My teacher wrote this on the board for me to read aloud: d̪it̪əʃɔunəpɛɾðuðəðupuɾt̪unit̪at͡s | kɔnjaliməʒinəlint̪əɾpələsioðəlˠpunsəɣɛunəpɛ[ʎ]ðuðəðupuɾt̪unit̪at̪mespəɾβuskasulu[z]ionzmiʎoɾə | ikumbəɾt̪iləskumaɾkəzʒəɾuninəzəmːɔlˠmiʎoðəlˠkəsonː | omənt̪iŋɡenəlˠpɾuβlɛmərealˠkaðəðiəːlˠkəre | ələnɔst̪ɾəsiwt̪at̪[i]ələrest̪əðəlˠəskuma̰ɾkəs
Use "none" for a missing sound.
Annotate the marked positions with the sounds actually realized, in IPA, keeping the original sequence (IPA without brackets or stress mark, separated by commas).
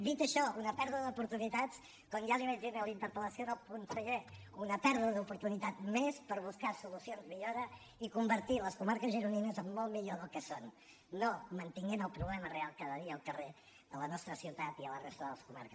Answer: ɾ, s, i